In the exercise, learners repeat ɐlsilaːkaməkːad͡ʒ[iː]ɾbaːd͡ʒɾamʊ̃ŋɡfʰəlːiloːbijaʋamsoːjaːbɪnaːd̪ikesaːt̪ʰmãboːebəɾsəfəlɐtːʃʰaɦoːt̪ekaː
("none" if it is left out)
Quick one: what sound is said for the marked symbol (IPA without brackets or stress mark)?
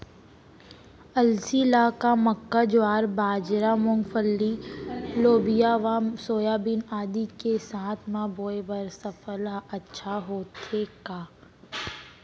aː